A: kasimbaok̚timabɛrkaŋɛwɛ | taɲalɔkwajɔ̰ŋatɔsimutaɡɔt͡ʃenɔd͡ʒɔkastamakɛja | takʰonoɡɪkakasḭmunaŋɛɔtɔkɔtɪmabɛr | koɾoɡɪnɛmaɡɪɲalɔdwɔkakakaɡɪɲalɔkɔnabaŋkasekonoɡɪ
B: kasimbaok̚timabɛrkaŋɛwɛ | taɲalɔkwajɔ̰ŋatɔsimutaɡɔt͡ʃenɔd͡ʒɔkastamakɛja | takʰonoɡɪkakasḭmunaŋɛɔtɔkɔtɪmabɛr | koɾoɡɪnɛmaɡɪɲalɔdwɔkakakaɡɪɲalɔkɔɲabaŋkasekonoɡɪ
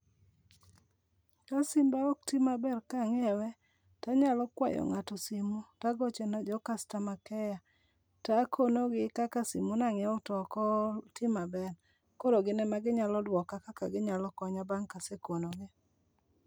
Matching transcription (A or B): B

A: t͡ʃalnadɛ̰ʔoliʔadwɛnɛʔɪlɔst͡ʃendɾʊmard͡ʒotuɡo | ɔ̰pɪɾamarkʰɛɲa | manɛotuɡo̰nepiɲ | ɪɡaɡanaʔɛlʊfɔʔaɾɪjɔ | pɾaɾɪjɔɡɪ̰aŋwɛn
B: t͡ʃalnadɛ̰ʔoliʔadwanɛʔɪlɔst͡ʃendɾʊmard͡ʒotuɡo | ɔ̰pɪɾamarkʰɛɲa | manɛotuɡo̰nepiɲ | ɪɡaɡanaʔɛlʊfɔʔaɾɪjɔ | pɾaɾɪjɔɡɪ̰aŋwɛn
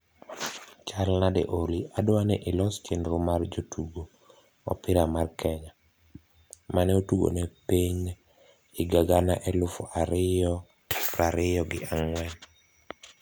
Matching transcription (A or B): B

